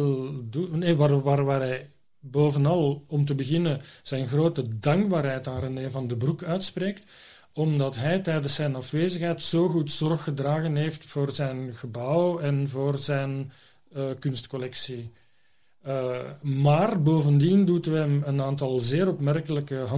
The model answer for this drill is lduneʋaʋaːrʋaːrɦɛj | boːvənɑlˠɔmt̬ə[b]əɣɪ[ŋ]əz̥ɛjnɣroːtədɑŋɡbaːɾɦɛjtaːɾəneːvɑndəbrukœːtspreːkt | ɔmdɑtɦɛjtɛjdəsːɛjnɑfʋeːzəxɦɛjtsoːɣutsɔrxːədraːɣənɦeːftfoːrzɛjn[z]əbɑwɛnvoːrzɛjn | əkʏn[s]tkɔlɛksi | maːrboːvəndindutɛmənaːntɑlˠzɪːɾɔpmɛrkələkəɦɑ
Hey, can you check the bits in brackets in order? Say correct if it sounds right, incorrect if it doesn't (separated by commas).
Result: correct, incorrect, incorrect, correct